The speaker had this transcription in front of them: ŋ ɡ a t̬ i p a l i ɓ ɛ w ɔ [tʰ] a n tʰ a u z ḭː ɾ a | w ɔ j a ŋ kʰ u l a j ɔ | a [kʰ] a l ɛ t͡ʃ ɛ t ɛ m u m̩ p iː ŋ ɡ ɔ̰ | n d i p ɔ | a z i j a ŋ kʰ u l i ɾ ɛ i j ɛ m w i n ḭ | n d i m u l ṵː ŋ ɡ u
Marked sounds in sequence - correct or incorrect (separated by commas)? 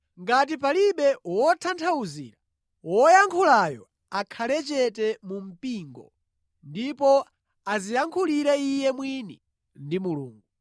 correct, correct